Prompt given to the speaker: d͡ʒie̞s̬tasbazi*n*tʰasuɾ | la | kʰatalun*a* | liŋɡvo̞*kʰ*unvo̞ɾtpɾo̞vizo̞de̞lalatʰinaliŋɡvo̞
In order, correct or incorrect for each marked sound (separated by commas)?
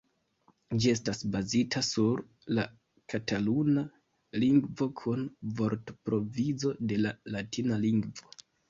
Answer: incorrect, correct, correct